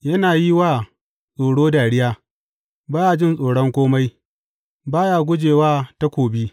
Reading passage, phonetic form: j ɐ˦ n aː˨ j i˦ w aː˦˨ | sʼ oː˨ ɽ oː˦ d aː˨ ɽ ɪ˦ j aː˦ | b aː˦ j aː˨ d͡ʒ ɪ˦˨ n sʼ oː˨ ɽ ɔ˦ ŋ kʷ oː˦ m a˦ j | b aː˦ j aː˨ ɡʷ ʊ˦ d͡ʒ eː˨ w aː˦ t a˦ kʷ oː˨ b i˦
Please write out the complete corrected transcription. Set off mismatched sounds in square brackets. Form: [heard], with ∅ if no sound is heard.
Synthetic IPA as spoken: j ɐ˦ n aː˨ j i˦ w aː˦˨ | sʼ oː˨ ɽ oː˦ d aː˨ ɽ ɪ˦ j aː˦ | b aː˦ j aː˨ d͡ʒ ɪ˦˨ n sʼ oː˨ ɽ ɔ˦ ŋ kʷ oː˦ m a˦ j | b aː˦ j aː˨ ɡʷ ʊ˦ d͡ʒ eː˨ w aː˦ t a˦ kʷ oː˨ b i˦